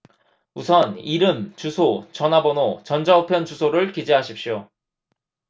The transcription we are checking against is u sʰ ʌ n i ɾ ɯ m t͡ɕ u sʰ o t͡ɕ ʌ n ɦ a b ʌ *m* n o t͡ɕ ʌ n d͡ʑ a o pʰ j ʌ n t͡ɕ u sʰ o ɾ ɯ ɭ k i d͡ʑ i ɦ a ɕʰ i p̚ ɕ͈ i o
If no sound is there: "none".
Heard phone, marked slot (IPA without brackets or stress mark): none